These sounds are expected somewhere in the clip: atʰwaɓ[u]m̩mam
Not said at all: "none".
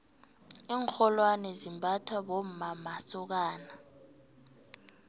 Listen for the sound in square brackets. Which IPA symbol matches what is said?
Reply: o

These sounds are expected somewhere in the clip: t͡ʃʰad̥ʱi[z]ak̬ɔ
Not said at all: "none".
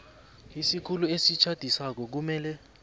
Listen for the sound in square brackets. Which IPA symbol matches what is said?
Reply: s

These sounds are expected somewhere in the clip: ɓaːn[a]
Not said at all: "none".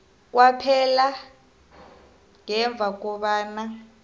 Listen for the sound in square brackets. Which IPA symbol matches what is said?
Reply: a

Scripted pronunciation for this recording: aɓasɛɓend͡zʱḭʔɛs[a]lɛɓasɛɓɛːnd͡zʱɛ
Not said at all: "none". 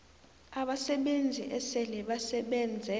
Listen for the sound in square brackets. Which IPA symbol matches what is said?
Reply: ɛ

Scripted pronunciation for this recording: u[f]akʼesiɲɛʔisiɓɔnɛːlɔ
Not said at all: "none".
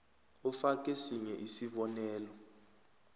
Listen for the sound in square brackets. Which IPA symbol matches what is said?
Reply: f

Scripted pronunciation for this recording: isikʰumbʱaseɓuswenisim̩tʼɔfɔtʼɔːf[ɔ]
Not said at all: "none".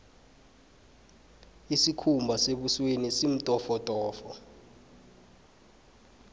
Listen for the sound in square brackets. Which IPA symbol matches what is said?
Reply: ɔ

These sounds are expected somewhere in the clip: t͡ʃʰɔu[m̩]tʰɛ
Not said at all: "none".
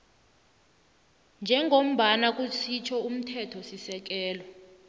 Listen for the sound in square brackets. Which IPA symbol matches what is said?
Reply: m̩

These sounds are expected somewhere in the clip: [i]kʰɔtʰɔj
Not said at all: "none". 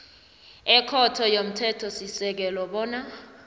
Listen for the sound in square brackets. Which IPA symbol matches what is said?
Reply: ɛ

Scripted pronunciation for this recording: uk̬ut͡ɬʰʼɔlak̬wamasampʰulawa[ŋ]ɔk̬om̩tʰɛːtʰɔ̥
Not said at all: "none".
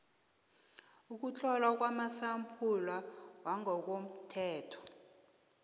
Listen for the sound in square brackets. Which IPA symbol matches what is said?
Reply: ŋ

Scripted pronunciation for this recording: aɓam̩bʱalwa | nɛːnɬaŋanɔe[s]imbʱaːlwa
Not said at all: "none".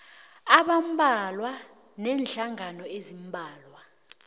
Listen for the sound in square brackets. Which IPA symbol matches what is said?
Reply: z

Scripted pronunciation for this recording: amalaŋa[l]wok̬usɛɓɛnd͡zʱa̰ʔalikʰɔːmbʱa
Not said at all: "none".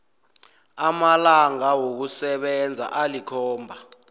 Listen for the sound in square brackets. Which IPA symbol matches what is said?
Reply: none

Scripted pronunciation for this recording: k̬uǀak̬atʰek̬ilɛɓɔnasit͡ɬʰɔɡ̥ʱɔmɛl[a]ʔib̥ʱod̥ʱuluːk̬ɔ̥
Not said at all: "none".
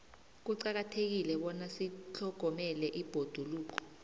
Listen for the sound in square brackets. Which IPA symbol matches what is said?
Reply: ɛ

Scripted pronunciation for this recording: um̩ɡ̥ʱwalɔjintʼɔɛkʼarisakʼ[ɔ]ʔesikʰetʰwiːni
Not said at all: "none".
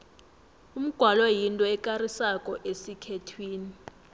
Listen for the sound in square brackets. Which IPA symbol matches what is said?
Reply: ɔ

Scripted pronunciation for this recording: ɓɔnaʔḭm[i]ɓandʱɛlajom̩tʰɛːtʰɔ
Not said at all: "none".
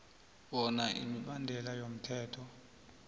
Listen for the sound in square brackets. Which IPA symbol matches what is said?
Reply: i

